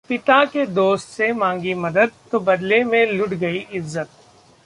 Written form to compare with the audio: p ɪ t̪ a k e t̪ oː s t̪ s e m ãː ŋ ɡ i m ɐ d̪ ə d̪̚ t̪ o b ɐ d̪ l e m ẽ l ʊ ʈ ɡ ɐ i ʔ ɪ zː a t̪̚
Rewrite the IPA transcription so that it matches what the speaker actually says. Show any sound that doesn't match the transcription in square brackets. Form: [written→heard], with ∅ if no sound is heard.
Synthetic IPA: p ɪ t̪ a k e [t̪→d̪] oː s t̪ s e m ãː ŋ ɡ i m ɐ d̪ ə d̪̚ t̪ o b ɐ d̪ l e m ẽ l ʊ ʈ ɡ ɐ i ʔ ɪ zː [a→ə] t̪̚

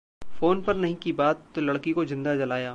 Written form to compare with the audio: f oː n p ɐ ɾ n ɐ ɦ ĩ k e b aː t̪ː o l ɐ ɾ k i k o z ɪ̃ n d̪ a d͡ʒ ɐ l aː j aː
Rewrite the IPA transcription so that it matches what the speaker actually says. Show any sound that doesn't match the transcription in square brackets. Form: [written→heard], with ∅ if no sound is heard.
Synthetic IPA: f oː n p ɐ ɾ n ɐ ɦ ĩ k [e→i] b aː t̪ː o l ɐ [ɾ→ɽ] k i k o z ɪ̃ n d̪ a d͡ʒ ɐ l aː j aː

